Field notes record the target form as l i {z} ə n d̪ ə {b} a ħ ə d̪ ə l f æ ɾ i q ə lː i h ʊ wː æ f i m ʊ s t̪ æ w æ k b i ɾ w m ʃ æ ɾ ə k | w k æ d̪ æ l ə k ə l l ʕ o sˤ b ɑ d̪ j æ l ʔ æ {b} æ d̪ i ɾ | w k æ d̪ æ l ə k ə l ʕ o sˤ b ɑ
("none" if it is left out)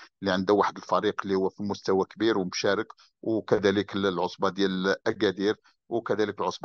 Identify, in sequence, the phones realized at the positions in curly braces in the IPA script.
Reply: ʕ, w, ɡ

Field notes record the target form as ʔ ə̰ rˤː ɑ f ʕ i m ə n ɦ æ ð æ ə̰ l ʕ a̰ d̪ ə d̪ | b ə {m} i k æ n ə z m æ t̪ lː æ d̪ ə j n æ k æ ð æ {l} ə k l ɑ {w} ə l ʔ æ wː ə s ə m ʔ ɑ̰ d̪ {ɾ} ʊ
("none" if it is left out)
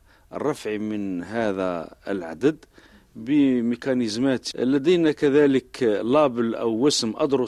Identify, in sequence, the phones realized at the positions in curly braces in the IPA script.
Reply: m, l, b, ɾ

